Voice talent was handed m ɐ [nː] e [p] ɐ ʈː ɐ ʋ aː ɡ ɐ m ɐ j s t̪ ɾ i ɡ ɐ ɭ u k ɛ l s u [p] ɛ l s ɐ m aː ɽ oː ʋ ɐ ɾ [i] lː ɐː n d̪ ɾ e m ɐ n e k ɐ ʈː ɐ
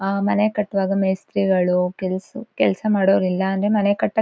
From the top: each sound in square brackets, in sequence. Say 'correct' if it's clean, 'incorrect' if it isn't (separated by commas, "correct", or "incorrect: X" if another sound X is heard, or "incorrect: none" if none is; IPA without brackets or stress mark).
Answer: incorrect: n, incorrect: k, incorrect: k, correct